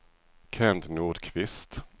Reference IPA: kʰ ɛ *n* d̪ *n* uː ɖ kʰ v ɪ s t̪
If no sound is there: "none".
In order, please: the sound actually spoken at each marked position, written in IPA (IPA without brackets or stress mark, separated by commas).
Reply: n, n